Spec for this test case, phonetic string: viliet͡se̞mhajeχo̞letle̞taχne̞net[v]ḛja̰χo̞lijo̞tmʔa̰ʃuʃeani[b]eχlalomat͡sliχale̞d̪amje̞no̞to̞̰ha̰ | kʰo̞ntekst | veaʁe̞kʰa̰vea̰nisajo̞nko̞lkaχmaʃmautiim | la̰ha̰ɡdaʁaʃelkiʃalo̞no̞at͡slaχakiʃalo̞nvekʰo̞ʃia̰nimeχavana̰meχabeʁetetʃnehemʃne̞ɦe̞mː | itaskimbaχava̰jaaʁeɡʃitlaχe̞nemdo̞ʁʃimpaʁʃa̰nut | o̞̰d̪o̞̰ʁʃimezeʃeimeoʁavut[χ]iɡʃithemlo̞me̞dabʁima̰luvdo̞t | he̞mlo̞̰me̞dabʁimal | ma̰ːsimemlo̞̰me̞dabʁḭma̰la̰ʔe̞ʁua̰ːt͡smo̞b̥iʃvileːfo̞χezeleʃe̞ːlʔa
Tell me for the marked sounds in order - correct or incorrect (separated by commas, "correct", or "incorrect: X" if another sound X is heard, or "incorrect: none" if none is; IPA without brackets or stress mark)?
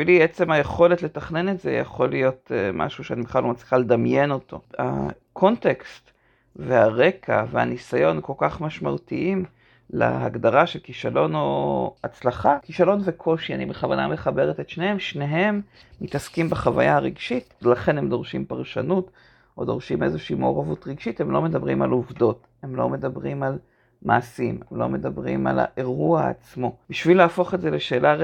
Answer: incorrect: z, correct, incorrect: ʁ